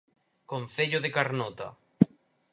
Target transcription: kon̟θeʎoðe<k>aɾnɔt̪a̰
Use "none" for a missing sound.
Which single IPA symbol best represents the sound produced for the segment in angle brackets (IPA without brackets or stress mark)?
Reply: k